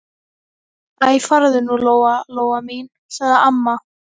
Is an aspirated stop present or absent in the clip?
absent